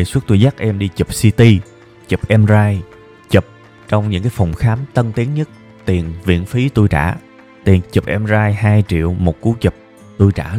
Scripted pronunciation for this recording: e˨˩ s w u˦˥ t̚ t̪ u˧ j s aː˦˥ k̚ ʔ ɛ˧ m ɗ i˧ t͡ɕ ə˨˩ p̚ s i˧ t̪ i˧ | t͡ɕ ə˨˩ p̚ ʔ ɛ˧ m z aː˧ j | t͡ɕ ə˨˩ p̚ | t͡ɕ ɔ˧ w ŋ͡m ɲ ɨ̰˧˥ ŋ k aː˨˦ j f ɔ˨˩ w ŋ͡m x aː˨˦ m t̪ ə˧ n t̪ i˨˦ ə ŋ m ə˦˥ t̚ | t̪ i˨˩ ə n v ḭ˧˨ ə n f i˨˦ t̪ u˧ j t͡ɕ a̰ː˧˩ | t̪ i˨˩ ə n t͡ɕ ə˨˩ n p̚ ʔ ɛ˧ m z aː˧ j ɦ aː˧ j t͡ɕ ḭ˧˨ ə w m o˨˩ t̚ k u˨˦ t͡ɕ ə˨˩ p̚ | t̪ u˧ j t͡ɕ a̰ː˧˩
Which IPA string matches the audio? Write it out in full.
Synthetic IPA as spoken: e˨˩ s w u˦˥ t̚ t̪ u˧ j z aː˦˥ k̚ ʔ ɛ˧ m ɗ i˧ t͡ɕ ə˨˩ p̚ s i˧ t̪ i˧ | t͡ɕ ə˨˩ p̚ ʔ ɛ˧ m z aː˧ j | t͡ɕ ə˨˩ p̚ | t͡ɕ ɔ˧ w ŋ͡m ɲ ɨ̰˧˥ ŋ k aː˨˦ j f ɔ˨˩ w ŋ͡m x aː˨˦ m t̪ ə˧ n t̪ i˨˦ ə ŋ ɲ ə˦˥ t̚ | t̪ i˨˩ ə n v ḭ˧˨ ə n f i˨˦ t̪ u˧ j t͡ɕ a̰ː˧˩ | t̪ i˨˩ ə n t͡ɕ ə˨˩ p̚ ʔ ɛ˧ m z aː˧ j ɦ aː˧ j t͡ɕ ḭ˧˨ ə w m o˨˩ t̚ k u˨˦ t͡ɕ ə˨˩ p̚ | t̪ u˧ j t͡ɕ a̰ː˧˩